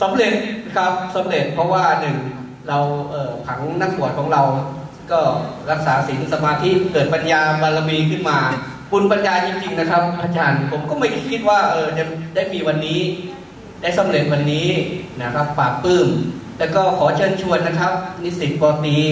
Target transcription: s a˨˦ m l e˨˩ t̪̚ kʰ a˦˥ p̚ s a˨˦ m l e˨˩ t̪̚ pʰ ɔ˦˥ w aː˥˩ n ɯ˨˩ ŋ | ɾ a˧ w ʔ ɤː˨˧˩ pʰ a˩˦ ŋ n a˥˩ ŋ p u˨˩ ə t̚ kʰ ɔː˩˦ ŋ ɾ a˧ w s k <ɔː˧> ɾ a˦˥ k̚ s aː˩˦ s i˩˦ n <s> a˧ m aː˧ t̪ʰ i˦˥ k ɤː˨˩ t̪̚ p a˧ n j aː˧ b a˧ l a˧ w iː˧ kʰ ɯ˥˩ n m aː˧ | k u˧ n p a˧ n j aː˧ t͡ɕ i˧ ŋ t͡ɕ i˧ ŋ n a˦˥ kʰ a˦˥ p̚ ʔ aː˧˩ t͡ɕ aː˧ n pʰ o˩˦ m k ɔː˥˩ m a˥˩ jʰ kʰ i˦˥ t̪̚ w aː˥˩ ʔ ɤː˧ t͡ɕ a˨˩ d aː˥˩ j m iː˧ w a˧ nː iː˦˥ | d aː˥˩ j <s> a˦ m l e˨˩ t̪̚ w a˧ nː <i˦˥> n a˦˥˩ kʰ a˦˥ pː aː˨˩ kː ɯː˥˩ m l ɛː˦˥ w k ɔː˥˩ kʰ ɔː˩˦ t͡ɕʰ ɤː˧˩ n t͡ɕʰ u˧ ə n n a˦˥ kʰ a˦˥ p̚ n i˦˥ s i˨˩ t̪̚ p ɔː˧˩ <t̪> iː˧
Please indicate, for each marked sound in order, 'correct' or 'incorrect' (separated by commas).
incorrect, correct, correct, incorrect, correct